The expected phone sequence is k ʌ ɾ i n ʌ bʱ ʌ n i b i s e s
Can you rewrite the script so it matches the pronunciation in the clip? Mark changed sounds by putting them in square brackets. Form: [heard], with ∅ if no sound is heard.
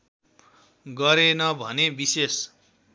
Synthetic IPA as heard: [ɡ] ʌ ɾ [e] n ʌ bʱ ʌ n [e] b i s e s